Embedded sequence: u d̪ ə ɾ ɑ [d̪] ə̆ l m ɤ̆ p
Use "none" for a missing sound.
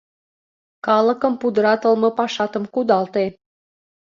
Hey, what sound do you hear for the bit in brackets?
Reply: t̪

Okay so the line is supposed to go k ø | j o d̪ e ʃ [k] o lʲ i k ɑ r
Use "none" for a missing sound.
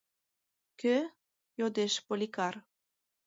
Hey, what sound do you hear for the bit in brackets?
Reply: p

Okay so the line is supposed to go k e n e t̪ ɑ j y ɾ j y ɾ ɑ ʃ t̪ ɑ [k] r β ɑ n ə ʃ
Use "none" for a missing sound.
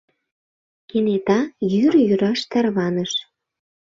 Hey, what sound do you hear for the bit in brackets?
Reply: none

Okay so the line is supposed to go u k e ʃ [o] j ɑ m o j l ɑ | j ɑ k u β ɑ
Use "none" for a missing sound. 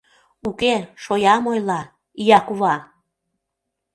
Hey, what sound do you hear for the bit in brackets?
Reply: o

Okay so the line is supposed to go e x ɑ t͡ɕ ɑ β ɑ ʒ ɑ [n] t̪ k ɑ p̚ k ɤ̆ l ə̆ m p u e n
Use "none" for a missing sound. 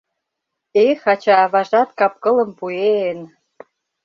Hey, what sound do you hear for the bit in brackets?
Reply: none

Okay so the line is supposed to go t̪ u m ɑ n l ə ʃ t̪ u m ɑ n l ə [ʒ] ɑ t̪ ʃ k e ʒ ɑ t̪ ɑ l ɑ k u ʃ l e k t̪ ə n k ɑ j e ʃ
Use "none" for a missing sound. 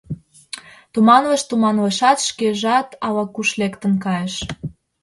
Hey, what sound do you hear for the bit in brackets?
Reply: ʃ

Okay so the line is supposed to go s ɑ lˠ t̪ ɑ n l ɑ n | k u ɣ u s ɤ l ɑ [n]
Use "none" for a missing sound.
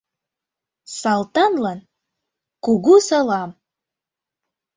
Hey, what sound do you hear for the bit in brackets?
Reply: m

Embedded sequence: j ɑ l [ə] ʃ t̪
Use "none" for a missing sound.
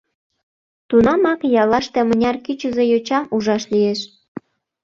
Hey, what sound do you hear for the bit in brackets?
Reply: ɑ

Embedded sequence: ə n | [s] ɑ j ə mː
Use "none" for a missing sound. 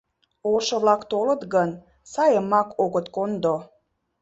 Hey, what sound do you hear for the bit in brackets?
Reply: s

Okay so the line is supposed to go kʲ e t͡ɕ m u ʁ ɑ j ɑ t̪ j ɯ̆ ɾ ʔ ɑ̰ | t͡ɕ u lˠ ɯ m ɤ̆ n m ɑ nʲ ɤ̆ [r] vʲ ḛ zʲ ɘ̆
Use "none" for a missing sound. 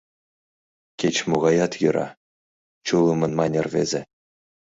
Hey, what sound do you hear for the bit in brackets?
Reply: r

